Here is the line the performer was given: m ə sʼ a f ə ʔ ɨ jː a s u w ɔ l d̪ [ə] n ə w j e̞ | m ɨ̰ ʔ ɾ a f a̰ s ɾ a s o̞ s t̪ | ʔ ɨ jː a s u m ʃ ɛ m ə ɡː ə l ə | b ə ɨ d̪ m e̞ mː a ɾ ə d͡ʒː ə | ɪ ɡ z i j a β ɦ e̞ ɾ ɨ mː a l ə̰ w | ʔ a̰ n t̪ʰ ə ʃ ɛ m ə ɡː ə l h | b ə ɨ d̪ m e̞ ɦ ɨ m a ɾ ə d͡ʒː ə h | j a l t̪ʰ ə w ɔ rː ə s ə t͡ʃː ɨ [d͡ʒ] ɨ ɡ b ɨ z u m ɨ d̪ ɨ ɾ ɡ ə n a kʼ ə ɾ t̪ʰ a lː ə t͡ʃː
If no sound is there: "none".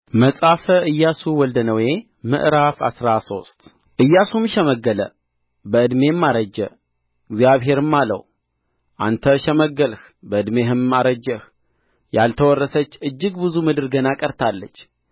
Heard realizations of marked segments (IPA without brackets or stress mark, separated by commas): ə, d͡ʒː